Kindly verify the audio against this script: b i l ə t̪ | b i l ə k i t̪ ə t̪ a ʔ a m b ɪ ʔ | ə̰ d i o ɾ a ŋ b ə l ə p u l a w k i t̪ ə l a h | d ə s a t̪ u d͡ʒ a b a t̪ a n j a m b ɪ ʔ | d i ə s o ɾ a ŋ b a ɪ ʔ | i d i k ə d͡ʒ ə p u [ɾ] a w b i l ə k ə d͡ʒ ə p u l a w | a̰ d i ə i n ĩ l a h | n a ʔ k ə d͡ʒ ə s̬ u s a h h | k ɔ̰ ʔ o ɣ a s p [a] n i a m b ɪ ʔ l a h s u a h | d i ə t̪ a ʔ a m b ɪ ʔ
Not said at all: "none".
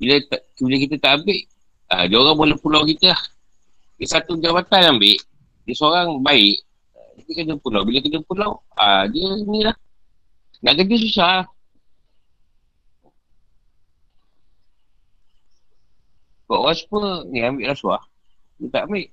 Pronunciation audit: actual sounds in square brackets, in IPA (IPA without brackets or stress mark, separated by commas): l, ə